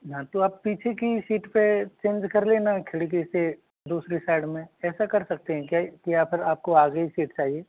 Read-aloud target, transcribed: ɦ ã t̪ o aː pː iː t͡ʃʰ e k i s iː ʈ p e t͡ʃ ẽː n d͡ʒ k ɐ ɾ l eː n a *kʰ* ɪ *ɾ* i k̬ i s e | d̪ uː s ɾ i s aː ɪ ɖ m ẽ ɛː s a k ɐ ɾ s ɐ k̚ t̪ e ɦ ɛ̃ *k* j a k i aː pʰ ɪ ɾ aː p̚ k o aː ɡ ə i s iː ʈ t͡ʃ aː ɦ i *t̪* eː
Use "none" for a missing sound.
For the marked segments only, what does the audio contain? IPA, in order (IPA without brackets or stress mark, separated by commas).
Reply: kʰ, ɽ, k, none